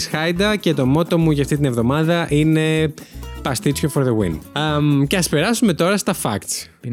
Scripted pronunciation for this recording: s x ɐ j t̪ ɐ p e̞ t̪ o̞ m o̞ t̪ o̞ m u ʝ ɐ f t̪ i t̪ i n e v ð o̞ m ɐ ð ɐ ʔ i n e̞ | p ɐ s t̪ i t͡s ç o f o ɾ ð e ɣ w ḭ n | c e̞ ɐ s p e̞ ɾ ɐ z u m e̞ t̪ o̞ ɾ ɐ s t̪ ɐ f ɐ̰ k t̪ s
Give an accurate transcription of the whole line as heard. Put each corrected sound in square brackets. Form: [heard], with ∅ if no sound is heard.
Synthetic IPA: s x ɐ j [d̪] ɐ [c] e̞ t̪ o̞ m o̞ t̪ o̞ m u ʝ ɐ f t̪ i t̪ i n e v ð o̞ m ɐ ð ɐ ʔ i n e̞ | p ɐ s t̪ i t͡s ç o f o ɾ ð e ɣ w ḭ n | c e̞ ɐ s p e̞ ɾ ɐ [s] u m e̞ t̪ o̞ ɾ ɐ s t̪ ɐ f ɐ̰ k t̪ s